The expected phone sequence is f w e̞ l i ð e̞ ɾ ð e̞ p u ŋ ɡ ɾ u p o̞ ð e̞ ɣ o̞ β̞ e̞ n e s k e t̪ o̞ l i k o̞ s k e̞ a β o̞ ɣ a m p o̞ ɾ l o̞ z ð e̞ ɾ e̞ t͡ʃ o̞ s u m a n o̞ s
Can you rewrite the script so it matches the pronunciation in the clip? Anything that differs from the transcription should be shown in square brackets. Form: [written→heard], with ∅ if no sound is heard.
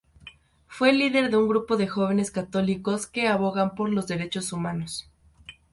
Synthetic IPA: f w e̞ l i ð e̞ ɾ ð e̞ [p→∅] u ŋ ɡ ɾ u p o̞ ð e̞ [ɣ→x] o̞ β̞ e̞ n e s k [e→a] t̪ o̞ l i k o̞ s k e̞ a β o̞ ɣ a m p o̞ ɾ l o̞ z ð e̞ ɾ e̞ t͡ʃ o̞ s u m a n o̞ s